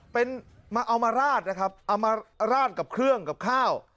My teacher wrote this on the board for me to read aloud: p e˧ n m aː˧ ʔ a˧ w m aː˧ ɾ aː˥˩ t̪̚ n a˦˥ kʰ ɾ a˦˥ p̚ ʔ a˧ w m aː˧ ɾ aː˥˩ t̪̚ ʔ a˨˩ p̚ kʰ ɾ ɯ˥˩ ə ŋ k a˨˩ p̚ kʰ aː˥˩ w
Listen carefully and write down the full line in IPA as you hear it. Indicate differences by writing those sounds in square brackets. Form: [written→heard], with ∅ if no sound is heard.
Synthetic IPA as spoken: p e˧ n m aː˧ ʔ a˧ w m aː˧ ɾ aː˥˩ t̪̚ n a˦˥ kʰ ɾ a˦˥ p̚ ʔ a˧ w m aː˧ ɾ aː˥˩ t̪̚ [ʔ→k] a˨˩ p̚ kʰ ɾ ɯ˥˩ ə ŋ k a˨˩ p̚ kʰ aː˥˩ w